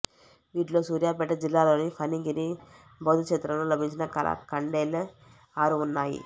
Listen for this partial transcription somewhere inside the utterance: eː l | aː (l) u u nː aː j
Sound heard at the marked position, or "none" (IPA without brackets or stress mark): ɾ